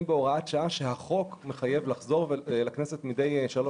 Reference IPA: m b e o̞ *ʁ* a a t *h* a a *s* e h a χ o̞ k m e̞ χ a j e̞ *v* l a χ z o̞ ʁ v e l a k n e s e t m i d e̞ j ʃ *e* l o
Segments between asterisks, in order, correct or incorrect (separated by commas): correct, incorrect, incorrect, correct, incorrect